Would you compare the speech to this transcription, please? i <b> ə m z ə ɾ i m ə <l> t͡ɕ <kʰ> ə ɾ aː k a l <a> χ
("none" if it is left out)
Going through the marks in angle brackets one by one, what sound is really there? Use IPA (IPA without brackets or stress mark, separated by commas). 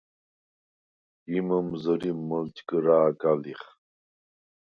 m, l, k, i